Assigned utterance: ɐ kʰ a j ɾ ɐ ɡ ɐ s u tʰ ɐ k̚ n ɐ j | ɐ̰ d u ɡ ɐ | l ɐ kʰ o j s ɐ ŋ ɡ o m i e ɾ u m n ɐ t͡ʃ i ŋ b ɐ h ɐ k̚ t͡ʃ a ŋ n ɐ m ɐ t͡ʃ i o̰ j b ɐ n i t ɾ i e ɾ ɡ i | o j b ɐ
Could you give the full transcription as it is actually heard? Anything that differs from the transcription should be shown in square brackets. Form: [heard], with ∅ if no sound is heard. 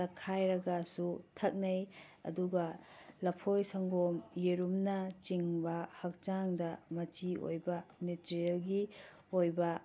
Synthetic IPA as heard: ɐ kʰ a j ɾ ɐ ɡ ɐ s u tʰ ɐ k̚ n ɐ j | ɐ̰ d u ɡ ɐ | l ɐ [pʰ] o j s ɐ ŋ ɡ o m [j] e ɾ u m n ɐ t͡ʃ i ŋ b ɐ h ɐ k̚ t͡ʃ a ŋ [d] ɐ m ɐ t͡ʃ i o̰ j b ɐ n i t ɾ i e [l] ɡ i | o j b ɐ